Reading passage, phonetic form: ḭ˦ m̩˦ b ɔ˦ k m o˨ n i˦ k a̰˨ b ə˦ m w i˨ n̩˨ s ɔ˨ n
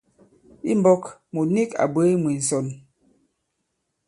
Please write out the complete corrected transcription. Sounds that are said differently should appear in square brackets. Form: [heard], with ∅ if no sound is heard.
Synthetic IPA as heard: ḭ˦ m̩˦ b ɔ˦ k m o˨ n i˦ k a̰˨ b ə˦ m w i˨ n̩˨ s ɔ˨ n